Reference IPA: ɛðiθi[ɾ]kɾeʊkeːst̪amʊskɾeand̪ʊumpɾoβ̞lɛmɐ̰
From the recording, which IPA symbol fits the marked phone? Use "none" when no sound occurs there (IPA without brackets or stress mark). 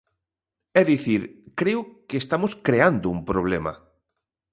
ɾ